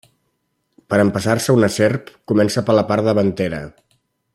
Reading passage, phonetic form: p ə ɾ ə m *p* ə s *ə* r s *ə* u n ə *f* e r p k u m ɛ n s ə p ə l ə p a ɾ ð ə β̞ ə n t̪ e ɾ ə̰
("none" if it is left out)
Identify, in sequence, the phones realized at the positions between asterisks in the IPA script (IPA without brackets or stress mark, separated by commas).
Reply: p, a, ə, s